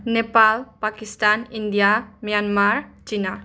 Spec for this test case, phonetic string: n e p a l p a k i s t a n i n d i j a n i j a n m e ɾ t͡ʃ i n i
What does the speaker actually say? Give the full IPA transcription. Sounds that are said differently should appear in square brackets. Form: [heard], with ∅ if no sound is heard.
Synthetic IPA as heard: n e p a l p a k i s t a n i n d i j a [m] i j a n m [a] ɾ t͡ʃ i n [a]